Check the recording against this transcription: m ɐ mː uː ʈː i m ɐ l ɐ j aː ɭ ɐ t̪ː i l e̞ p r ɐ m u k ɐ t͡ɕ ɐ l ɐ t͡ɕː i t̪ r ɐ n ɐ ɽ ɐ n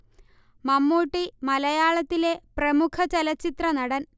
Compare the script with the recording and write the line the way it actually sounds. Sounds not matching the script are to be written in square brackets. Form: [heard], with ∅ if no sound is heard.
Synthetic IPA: m ɐ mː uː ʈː i m ɐ l ɐ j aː ɭ ɐ t̪ː i l e̞ p r ɐ m u [kʰ] ɐ t͡ɕ ɐ l ɐ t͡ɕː i t̪ r ɐ n ɐ ɽ ɐ n